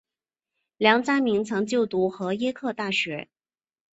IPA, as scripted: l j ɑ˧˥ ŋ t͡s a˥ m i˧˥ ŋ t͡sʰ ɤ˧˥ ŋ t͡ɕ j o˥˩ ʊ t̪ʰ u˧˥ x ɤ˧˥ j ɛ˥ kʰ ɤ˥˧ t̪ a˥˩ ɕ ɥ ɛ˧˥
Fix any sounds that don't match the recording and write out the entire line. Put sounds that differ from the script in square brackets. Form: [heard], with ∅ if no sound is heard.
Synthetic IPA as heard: l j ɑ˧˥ ŋ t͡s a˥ m i˧˥ ŋ t͡sʰ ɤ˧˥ ŋ t͡ɕ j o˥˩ ʊ [t̪] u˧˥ x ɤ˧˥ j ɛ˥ kʰ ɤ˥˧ t̪ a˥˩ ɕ ɥ ɛ˧˥

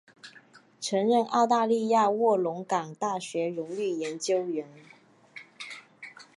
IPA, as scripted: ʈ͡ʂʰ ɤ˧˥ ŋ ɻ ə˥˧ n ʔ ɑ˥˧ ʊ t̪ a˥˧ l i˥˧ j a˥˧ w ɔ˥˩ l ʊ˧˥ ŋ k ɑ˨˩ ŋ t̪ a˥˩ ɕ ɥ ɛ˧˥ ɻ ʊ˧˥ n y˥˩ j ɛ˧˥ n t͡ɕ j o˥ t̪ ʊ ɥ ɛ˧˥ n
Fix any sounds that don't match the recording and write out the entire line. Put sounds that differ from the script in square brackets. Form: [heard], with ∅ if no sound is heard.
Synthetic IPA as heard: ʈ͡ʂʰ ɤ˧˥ ŋ ɻ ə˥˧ n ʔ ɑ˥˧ ʊ t̪ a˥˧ l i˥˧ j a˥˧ w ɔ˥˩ l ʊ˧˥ ŋ k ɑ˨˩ ŋ t̪ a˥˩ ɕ ɥ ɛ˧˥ ɻ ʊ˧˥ [ŋ] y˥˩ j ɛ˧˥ n t͡ɕ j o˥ [∅] ʊ ɥ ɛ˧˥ n

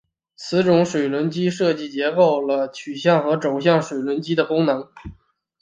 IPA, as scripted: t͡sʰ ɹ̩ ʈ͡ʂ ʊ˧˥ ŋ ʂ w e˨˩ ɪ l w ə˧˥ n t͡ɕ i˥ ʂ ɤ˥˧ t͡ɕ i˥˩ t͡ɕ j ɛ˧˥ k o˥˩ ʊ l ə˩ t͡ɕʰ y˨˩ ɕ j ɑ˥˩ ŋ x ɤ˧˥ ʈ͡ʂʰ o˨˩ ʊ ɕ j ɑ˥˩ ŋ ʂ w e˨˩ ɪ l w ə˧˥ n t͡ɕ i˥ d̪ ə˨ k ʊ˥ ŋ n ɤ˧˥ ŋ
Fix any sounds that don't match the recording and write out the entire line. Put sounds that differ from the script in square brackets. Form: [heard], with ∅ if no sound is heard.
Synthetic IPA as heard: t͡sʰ ɹ̩ ʈ͡ʂ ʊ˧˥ ŋ ʂ w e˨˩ ɪ l w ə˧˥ n t͡ɕ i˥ ʂ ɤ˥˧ t͡ɕ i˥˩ t͡ɕ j ɛ˧˥ k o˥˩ ʊ l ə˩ t͡ɕʰ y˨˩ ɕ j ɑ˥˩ ŋ x ɤ˧˥ [ʈ͡ʂ] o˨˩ ʊ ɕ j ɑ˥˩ ŋ ʂ w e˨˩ ɪ l w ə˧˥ n t͡ɕ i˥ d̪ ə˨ k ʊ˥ ŋ n ɤ˧˥ ŋ

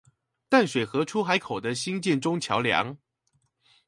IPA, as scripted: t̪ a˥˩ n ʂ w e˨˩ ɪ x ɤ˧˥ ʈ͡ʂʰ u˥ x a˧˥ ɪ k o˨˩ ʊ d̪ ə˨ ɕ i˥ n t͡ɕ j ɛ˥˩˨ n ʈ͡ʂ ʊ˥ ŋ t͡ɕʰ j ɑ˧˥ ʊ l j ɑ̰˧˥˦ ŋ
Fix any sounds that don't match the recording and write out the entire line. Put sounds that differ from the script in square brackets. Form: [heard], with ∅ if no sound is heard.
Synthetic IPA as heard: t̪ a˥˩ n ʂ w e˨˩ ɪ x ɤ˧˥ ʈ͡ʂʰ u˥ x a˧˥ ɪ [kʰ] o˨˩ ʊ d̪ [ə˦] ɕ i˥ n t͡ɕ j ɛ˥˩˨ n ʈ͡ʂ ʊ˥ ŋ t͡ɕʰ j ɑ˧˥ ʊ l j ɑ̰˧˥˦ ŋ

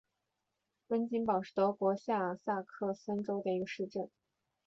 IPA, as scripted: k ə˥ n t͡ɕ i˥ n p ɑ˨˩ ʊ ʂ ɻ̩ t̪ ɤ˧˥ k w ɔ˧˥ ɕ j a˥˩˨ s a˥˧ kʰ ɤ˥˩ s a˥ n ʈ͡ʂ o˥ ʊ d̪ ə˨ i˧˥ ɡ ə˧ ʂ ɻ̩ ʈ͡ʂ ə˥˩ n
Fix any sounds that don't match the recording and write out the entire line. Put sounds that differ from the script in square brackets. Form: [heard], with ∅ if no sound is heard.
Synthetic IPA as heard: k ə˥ n t͡ɕ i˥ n p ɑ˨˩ ʊ ʂ ɻ̩ t̪ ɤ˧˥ k w ɔ˧˥ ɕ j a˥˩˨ s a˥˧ kʰ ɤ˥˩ s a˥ n ʈ͡ʂ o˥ ʊ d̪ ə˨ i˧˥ ɡ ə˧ ʂ ɻ̩ ʈ͡ʂ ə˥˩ n

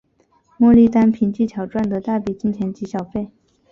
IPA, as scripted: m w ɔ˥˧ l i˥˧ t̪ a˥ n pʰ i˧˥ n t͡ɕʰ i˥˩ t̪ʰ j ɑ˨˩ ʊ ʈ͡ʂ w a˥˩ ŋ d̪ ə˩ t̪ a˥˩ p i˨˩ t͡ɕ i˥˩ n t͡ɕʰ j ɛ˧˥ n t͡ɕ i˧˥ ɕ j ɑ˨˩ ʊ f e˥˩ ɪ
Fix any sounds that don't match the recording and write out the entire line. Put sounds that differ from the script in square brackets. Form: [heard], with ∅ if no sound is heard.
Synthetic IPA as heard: m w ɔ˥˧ l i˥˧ t̪ a˥ n pʰ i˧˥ n [t͡ɕ] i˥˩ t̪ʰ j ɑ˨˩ ʊ ʈ͡ʂ w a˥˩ [n] d̪ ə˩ t̪ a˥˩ p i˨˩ t͡ɕ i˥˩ n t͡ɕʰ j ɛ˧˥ n t͡ɕ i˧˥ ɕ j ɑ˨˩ ʊ f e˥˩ ɪ

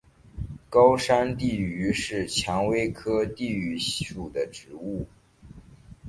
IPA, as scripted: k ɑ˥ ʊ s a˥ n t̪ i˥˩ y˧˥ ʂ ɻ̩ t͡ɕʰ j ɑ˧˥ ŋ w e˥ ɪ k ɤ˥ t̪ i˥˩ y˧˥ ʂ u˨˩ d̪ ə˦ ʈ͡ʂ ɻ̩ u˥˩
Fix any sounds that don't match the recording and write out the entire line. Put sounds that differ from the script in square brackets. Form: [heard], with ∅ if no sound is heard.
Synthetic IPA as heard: k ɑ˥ ʊ [ʂ] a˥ n t̪ i˥˩ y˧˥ ʂ ɻ̩ t͡ɕʰ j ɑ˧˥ ŋ w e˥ ɪ [kʰ] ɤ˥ t̪ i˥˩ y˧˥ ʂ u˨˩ d̪ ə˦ ʈ͡ʂ ɻ̩ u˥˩

